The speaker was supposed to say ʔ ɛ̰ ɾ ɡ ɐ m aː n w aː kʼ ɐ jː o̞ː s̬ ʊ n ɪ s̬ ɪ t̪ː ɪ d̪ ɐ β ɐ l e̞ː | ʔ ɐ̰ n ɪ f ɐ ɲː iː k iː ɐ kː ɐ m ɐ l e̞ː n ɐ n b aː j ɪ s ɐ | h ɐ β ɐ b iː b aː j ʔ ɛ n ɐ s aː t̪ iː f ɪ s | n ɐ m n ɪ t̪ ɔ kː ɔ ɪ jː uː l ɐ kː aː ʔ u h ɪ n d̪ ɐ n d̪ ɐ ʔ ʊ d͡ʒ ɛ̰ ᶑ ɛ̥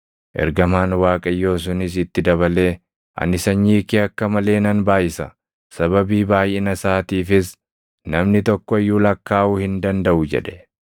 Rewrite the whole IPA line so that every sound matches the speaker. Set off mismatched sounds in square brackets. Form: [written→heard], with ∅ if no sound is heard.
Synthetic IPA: ʔ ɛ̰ ɾ ɡ ɐ m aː n w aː kʼ ɐ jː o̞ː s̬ ʊ n ɪ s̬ ɪ t̪ː ɪ d̪ ɐ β ɐ l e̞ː | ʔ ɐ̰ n ɪ [f→s] ɐ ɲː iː k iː ɐ kː ɐ m ɐ l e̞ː n ɐ n b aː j ɪ s ɐ | [h→s] ɐ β ɐ b iː b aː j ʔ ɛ n ɐ s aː t̪ iː f ɪ s | n ɐ m n ɪ t̪ ɔ kː ɔ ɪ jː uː l ɐ kː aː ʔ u h ɪ n d̪ ɐ n d̪ ɐ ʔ ʊ d͡ʒ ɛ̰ ᶑ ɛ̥